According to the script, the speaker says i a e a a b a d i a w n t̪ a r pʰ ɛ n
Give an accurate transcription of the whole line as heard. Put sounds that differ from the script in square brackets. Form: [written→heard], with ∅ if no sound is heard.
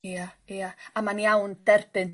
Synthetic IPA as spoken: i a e a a [b→m] a [d→n] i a w n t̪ [a→ɛ] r [pʰ→p] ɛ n